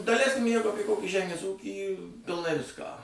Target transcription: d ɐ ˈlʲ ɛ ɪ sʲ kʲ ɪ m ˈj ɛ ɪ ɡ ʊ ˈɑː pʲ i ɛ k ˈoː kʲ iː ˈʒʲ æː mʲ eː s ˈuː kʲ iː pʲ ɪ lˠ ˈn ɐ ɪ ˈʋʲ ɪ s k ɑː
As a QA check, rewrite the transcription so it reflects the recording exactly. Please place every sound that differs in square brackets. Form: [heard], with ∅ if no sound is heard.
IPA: d ɐ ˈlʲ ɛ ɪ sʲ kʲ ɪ m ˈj ɛ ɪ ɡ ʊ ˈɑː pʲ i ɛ k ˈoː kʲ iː ˈʒʲ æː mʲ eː s ˈuː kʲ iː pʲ ɪ lˠ ˈn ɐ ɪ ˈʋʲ ɪ s k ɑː